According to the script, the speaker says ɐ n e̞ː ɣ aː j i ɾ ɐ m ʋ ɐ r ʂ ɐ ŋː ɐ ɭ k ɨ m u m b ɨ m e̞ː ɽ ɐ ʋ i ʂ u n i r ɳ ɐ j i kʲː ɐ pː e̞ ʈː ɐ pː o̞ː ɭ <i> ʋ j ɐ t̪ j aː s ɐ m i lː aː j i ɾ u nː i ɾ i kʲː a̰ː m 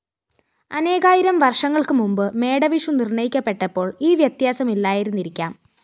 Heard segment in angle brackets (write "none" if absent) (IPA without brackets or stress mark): iː